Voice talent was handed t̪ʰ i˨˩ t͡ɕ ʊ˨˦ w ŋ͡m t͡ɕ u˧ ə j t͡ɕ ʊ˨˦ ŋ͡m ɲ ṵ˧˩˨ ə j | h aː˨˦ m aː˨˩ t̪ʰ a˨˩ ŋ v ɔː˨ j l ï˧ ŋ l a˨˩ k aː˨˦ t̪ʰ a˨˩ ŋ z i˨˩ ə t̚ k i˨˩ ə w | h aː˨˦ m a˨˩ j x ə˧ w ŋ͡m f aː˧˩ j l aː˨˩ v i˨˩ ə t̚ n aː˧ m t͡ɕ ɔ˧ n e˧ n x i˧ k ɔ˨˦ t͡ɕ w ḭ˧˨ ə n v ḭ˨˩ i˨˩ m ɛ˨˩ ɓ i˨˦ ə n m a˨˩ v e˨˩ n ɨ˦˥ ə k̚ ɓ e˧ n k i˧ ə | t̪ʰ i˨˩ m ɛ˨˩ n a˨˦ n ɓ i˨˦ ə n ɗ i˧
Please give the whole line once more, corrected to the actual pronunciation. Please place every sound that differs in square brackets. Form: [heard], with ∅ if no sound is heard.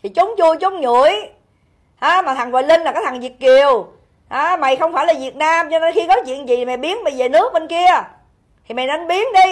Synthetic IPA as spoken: t̪ʰ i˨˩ t͡ɕ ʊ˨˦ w ŋ͡m t͡ɕ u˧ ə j t͡ɕ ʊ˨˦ ŋ͡m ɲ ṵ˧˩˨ ə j | h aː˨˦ m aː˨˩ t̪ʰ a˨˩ ŋ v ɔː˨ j l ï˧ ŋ l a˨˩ k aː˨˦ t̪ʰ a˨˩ ŋ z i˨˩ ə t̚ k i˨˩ ə w | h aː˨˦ m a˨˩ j x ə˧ w ŋ͡m f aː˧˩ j l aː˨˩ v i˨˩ ə t̚ n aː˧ m t͡ɕ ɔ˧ n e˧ n x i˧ k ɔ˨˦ t͡ɕ w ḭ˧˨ ə n [z] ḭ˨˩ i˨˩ m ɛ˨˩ ɓ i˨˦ ə n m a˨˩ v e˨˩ n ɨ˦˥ ə k̚ ɓ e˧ n k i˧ ə | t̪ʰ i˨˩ m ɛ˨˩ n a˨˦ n ɓ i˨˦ ə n ɗ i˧